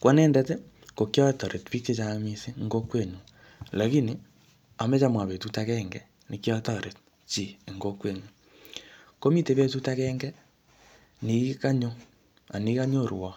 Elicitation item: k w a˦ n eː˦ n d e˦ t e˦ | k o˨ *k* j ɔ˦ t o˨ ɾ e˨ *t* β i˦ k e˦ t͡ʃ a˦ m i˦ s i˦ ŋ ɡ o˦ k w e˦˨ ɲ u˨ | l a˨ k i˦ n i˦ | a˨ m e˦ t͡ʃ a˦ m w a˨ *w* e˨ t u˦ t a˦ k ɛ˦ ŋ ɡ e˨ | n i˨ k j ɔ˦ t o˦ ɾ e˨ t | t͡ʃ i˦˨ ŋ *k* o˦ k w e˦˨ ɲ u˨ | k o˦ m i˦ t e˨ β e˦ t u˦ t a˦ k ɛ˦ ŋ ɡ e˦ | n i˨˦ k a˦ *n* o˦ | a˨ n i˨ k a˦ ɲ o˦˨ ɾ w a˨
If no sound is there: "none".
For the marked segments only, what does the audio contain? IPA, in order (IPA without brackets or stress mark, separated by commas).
k, t, β, ɡ, ɲ